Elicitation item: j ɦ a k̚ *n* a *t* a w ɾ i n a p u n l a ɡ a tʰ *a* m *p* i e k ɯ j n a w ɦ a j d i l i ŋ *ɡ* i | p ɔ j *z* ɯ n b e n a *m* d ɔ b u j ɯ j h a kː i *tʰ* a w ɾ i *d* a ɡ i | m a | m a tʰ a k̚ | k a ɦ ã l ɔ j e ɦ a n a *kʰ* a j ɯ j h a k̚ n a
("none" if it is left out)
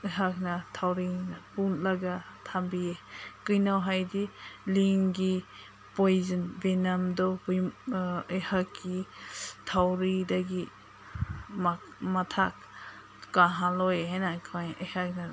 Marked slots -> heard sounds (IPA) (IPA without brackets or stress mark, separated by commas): n, tʰ, a, b, ɡ, z, m, tʰ, d, kʰ